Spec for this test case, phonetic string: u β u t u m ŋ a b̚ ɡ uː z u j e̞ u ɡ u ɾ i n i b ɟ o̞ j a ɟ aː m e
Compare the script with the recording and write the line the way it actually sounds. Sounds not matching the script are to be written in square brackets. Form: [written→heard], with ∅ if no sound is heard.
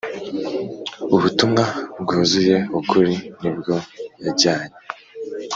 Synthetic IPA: u β u t u m ŋ a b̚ ɡ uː z u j e̞ u [ɡ→k] u ɾ i n i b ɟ o̞ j a ɟ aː [m→ɲ] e